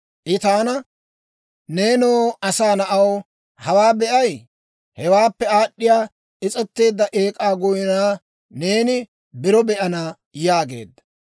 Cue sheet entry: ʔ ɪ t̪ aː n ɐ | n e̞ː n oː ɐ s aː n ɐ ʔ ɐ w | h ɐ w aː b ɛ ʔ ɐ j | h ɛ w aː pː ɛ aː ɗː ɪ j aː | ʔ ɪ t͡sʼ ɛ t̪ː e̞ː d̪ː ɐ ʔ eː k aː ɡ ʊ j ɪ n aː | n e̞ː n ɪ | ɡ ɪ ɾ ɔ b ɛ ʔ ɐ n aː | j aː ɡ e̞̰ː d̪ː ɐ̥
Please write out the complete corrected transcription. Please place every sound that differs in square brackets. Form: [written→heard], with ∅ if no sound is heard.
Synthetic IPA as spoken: ʔ ɪ t̪ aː n ɐ | n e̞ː n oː ɐ s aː n ɐ ʔ ɐ w | h ɐ w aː b ɛ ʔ ɐ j | h ɛ w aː pː ɛ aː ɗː ɪ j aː | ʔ ɪ t͡sʼ ɛ t̪ː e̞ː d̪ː ɐ ʔ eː [k→kʼ] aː ɡ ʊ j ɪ n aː | n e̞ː n ɪ | [ɡ→b] ɪ ɾ ɔ b ɛ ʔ ɐ n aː | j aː ɡ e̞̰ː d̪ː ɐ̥